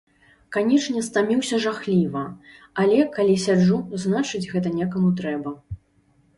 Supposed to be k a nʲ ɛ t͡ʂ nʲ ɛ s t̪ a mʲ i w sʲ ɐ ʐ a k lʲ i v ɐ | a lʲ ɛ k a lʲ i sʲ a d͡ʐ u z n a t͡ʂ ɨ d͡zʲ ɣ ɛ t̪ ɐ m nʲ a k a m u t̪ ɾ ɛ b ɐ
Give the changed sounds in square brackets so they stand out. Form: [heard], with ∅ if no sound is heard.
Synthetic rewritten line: k a nʲ ɛ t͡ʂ nʲ ɛ s t̪ a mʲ i w sʲ ɐ ʐ a [x] lʲ i v ɐ | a lʲ ɛ k a lʲ i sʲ a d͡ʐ u z n a t͡ʂ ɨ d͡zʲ ɣ ɛ t̪ ɐ [∅] nʲ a k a m u t̪ ɾ ɛ b ɐ